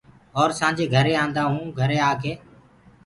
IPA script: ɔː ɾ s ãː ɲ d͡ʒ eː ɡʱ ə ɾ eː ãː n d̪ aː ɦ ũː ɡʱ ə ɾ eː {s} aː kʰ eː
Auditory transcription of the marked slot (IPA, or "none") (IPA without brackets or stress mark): none